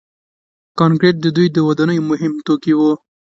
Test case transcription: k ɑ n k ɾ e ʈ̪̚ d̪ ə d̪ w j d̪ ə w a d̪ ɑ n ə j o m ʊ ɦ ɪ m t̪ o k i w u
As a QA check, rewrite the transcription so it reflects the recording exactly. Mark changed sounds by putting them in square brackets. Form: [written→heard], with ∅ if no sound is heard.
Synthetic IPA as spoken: k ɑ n k ɾ e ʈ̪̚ d̪ ə d̪ [w→u] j d̪ ə w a d̪ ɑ n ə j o m ʊ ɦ ɪ m t̪ o k i w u